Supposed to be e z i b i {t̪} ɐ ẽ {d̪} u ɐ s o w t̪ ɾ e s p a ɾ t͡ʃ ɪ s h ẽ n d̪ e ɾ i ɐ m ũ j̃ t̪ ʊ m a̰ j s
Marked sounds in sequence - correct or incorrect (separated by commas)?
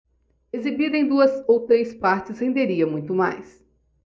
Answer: incorrect, correct